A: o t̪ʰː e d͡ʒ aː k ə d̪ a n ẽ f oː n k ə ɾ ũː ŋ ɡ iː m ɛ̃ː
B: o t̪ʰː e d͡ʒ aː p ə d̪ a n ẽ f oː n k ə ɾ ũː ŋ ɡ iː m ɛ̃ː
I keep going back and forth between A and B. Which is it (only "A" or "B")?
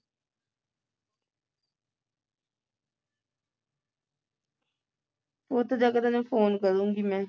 A